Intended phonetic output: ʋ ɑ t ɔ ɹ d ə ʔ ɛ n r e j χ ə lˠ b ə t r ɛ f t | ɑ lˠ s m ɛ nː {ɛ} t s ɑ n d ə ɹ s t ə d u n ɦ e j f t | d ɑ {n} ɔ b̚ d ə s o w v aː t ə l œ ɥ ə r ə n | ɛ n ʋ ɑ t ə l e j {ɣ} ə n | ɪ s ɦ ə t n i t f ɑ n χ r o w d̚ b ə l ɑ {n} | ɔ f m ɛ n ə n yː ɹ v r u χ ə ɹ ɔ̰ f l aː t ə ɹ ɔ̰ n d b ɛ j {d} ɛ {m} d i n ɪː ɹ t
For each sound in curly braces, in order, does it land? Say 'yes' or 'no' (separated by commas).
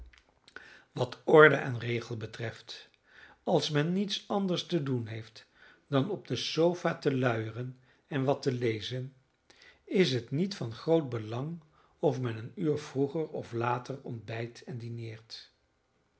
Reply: no, yes, no, no, no, no